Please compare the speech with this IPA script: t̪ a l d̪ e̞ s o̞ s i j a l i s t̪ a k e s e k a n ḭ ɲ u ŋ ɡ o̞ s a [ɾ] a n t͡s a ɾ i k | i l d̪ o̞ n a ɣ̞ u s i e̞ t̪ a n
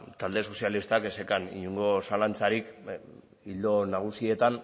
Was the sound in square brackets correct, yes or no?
no